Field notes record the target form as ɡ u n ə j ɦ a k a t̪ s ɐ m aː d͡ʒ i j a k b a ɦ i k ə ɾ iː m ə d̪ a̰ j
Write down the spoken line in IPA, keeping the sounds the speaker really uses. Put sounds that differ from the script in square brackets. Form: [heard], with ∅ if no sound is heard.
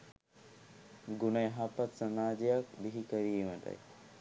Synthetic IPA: ɡ u n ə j ɦ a [p] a t̪ s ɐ m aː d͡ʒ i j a k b [i] ɦ i k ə ɾ iː m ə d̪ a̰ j